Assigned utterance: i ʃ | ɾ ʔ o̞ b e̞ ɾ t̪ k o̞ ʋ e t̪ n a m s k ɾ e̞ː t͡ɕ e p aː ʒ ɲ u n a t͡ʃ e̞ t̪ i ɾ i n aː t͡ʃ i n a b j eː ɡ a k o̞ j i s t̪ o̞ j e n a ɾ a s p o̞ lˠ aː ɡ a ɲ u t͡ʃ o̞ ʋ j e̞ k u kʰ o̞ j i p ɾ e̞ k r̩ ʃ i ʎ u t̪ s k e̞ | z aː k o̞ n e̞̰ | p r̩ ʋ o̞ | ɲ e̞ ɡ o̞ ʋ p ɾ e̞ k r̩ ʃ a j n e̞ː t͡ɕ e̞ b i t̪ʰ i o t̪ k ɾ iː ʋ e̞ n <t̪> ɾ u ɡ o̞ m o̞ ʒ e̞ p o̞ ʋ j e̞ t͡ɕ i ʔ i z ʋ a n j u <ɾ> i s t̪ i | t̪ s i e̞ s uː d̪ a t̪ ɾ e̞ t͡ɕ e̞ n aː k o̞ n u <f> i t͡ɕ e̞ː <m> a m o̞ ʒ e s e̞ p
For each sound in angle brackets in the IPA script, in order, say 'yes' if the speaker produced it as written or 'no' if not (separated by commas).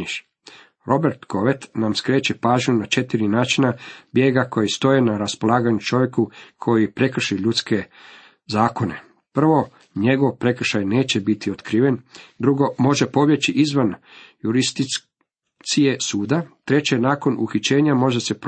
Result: no, yes, no, no